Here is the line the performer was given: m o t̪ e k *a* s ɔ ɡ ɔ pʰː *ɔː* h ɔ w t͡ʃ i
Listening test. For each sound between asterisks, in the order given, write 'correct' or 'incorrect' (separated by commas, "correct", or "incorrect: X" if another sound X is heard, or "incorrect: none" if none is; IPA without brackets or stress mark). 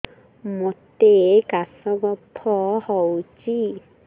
correct, incorrect: ɔ